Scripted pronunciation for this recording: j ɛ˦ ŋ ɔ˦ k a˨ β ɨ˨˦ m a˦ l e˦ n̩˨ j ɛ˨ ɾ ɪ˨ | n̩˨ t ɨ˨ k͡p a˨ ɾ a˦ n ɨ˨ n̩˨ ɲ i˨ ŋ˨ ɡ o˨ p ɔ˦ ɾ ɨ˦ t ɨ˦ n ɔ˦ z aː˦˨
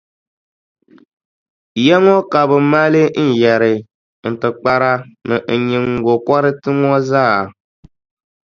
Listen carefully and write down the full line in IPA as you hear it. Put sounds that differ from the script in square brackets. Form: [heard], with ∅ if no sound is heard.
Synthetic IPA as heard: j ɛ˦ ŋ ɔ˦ k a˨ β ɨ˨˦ m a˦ l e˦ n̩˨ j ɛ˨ ɾ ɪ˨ | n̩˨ t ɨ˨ k͡p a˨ ɾ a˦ n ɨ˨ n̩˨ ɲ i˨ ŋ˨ ɡ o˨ [k] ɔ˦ ɾ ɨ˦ t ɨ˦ [ŋ] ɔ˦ z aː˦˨

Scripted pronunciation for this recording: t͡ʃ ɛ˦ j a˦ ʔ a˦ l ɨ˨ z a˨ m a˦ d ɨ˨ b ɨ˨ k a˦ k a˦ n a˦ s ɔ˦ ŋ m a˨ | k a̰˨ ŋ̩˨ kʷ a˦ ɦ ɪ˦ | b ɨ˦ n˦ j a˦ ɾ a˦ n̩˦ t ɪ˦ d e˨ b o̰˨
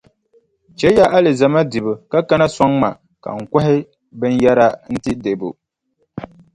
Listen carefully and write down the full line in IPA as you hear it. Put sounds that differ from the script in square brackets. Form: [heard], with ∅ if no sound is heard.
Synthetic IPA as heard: t͡ʃ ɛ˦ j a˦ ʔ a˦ l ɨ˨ z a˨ m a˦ d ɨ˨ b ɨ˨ k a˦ k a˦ n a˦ s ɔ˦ ŋ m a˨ | k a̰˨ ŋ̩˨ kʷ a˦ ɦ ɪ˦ | b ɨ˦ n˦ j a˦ ɾ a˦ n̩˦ t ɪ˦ d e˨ b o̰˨

